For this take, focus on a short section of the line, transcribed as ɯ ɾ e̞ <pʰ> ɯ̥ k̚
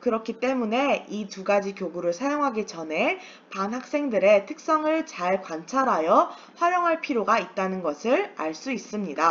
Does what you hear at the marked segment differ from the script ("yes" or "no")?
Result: yes